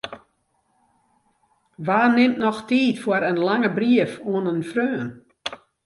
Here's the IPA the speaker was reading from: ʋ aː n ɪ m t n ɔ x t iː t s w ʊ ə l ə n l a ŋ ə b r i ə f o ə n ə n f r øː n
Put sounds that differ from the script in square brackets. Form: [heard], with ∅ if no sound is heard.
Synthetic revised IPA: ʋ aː n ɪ m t n ɔ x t iː t [f] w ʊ ə [ɾ] ə n l a ŋ ə b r i ə f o ə n ə n f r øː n